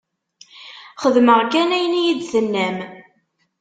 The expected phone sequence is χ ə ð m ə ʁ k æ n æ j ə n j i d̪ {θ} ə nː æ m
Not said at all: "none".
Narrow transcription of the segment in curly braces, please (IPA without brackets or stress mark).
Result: θ